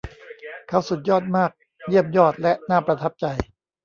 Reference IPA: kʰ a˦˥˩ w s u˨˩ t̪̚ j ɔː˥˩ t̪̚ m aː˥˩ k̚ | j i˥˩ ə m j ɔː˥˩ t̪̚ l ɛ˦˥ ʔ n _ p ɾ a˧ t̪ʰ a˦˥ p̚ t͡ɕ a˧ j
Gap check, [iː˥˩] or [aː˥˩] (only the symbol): aː˥˩